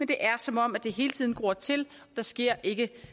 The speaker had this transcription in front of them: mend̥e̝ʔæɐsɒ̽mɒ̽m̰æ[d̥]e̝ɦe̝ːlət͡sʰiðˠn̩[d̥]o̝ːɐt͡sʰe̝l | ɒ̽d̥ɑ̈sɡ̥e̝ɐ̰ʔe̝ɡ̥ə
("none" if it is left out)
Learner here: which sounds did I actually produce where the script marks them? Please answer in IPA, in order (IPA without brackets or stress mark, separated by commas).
d̥, ɡ̥